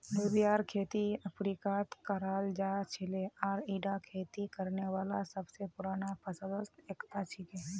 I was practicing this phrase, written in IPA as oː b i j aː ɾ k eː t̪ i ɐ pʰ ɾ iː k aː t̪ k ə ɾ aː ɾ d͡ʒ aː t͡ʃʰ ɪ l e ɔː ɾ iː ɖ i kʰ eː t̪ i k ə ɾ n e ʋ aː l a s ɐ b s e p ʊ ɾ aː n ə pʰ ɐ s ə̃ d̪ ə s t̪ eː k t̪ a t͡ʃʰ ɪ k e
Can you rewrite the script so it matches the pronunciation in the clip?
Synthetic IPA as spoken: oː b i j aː ɾ kʰ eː t̪ i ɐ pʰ ɾ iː k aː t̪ k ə ɾ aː l d͡ʒ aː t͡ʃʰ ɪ l e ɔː ɾ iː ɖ a kʰ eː t̪ i k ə ɾ n e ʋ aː l a s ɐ b s e p ʊ ɾ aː n a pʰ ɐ s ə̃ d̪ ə s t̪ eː k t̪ a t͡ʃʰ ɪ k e